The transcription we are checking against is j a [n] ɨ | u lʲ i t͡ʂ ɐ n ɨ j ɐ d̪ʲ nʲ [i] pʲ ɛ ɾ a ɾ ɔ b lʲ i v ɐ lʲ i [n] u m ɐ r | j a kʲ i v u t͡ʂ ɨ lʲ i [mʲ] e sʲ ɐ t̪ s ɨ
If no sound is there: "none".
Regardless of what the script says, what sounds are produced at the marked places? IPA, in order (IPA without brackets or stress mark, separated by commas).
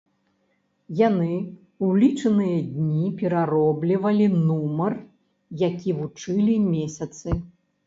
n, i, n, mʲ